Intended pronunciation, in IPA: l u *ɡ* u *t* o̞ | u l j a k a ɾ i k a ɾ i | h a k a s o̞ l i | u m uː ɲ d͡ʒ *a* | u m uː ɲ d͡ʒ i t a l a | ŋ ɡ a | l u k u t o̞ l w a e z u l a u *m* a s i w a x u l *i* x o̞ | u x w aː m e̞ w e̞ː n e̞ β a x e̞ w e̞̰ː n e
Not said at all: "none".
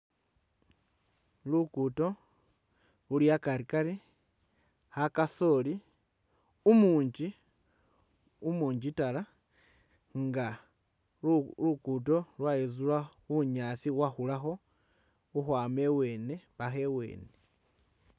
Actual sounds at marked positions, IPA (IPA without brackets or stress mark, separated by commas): k, t, i, ɲ, a